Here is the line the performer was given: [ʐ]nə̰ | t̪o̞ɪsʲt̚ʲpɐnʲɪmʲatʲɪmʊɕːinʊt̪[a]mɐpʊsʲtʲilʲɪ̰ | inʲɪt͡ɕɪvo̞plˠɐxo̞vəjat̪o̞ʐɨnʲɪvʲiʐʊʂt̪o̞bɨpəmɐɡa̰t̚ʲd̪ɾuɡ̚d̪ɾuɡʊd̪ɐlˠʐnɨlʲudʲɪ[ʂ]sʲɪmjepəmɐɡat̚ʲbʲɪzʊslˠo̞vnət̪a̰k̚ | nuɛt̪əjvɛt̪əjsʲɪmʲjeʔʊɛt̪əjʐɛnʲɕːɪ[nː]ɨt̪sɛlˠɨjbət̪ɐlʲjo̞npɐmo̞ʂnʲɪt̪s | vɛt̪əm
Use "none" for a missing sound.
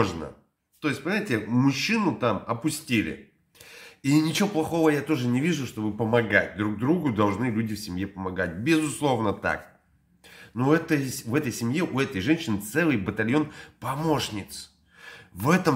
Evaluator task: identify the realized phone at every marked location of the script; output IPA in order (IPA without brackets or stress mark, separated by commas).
ʐ, a, f, n